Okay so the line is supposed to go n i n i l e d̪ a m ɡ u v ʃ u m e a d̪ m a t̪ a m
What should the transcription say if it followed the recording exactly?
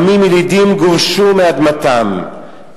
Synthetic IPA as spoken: m i m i l i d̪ i m ɡ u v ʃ u m e a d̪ m a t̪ a m